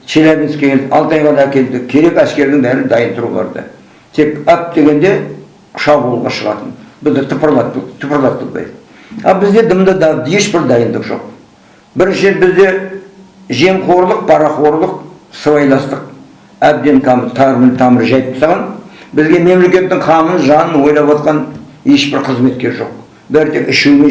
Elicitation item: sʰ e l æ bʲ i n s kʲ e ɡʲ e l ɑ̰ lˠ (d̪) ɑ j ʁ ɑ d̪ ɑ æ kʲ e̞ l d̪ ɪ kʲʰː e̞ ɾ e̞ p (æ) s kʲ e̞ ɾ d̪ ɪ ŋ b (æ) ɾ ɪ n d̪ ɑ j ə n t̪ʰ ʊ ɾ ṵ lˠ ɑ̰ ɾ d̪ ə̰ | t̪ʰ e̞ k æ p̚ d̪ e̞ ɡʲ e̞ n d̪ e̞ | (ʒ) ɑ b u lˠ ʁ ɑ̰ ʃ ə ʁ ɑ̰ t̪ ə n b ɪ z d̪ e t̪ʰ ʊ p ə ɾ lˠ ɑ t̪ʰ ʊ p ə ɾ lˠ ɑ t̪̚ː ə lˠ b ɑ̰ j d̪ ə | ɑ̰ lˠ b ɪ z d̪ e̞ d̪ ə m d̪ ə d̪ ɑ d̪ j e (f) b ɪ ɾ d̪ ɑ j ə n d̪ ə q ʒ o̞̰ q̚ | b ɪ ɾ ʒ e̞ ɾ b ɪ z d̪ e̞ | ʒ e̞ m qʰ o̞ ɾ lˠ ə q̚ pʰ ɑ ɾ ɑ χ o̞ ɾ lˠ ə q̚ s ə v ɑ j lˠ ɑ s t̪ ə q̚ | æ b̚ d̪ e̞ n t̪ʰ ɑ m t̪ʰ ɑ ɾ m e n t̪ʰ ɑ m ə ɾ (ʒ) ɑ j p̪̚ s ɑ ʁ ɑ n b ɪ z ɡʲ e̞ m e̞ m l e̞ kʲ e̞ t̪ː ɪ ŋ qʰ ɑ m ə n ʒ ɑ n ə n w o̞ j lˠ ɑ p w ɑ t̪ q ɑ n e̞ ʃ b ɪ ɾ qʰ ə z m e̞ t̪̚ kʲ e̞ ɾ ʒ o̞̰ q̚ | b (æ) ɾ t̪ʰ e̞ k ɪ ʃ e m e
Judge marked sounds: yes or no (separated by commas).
no, yes, yes, no, no, yes, yes